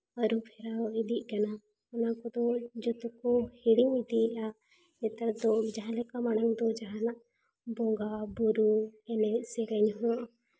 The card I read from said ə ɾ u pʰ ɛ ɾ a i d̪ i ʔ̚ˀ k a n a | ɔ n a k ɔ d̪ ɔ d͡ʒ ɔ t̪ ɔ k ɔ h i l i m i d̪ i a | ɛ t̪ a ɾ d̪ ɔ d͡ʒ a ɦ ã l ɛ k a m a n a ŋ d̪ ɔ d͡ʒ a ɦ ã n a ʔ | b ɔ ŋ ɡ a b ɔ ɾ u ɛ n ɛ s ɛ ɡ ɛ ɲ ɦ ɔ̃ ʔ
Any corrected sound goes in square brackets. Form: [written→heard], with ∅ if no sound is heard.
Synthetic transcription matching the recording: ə ɾ u pʰ ɛ ɾ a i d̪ i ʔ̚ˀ k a n a | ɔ n a k ɔ d̪ ɔ d͡ʒ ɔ t̪ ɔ k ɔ h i [l→ɽ] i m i d̪ i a | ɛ t̪ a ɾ d̪ ɔ d͡ʒ a ɦ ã l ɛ k a m a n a ŋ d̪ ɔ d͡ʒ a ɦ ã n a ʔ | b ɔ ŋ ɡ a b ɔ ɾ u ɛ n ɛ s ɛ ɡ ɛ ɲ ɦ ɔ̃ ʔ